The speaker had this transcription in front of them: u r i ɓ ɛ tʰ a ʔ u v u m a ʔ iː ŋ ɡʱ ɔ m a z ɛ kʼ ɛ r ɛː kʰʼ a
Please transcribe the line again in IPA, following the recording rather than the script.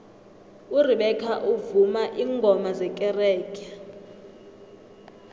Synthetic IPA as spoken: u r i ɓ ɛ kʰ a ʔ u v u m a ʔ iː ŋ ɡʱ ɔ m a z ɛ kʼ ɛ r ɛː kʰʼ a

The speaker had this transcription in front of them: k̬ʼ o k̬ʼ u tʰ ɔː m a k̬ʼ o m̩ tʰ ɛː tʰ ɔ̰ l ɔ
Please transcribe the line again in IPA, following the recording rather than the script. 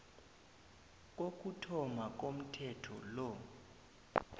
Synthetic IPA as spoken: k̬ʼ o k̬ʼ u tʰ ɔ m a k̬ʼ o m̩ tʰ ɛ tʰ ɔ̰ l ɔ

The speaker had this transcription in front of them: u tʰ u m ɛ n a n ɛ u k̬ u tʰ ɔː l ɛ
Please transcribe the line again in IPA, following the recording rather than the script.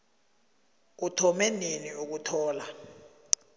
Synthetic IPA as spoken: u tʰ ɔ m ɛ n e n i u k̬ u tʰ ɔː l a

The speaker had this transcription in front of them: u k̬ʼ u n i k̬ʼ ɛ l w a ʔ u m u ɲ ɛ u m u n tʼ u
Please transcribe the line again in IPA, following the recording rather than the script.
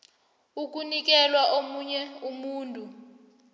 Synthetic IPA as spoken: u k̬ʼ u n i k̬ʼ ɛ l w a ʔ o m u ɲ ɛ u m uː n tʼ u

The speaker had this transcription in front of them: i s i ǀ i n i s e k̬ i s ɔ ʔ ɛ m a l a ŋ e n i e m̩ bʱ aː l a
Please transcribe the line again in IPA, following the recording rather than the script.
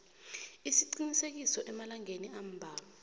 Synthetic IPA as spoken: i s i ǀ i n i s e k̬ i s ɔ ʔ ɛ m a l a ŋ e n i a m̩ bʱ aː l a

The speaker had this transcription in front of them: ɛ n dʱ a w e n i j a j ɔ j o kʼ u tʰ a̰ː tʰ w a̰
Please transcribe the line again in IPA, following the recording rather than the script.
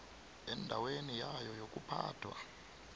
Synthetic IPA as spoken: ɛ n dʱ a w e n i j a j ɔ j o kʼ u pʰ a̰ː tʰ w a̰

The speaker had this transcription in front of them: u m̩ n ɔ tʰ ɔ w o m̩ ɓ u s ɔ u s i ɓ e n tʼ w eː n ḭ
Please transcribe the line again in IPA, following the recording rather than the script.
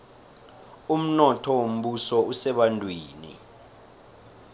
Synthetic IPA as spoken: u m̩ n ɔ tʰ ɔ w o m̩ ɓ u s ɔ u s ɛ ɓ a n tʼ w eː n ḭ

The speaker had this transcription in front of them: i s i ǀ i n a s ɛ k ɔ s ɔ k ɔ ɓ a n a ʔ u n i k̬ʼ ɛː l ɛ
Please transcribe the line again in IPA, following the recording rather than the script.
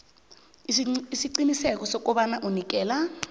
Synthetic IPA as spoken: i s i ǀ i n i s ɛ k ɔ s ɔ k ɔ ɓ a n a ʔ u n i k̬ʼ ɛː l a

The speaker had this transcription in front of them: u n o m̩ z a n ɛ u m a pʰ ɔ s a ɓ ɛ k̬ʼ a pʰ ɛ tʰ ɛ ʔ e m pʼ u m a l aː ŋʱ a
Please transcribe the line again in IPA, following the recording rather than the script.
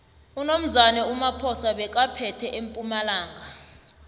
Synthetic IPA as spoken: u n o m̩ z a n ɛ u m a pʰ ɔ s a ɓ ɛ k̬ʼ a pʰ ɛ tʰ ɛ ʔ e m pʼ u m a l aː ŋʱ a

